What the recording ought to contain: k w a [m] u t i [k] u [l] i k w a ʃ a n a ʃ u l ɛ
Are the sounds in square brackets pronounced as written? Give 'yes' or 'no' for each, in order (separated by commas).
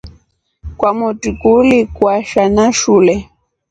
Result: yes, yes, yes